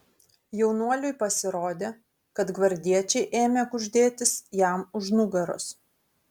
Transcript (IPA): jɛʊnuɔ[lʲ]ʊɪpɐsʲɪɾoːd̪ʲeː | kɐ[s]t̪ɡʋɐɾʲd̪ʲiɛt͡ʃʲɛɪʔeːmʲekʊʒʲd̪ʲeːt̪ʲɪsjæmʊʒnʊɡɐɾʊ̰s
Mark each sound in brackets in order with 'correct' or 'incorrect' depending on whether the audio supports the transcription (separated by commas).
correct, incorrect